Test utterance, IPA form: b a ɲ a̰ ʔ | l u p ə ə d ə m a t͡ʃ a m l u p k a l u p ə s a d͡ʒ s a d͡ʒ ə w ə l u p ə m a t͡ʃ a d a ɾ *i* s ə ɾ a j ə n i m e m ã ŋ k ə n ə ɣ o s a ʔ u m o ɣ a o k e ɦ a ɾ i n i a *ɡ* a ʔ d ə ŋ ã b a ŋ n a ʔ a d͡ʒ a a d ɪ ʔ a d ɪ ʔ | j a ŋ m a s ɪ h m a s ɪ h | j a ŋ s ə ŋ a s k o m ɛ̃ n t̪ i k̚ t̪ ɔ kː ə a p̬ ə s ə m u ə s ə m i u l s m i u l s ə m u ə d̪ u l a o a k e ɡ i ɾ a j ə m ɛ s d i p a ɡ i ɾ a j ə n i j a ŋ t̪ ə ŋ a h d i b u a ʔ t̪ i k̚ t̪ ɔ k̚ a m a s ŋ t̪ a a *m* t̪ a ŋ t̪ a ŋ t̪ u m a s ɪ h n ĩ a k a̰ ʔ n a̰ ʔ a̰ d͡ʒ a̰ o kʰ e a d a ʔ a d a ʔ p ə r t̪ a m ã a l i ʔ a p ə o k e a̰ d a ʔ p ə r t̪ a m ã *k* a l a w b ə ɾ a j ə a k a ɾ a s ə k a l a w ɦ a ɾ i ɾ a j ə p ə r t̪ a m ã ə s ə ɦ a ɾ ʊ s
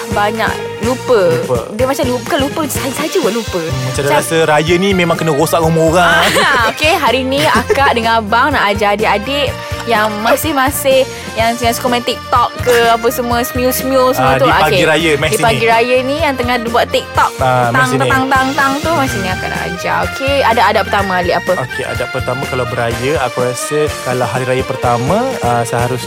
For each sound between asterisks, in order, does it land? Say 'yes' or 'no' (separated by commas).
no, no, no, yes